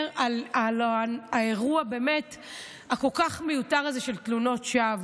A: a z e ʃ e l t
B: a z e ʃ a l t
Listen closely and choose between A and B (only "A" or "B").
A